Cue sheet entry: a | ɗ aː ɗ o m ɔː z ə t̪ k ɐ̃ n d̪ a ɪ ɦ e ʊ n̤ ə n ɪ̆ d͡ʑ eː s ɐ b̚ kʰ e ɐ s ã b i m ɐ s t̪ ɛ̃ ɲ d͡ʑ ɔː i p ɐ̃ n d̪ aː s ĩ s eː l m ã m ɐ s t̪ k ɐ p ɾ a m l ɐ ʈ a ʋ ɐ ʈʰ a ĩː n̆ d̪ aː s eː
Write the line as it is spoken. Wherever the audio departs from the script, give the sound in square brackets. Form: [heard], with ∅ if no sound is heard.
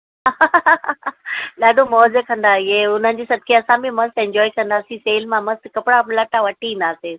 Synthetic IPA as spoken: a | ɗ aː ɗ o m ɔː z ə [∅] k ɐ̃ n d̪ a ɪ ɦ e ʊ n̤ ə n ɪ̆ d͡ʑ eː s ɐ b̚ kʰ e ɐ s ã b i m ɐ s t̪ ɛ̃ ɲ d͡ʑ ɔː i [k] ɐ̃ n d̪ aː s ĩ s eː l m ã m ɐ s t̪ k ɐ p [ɽ] a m l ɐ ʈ a ʋ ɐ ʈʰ [i] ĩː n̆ d̪ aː s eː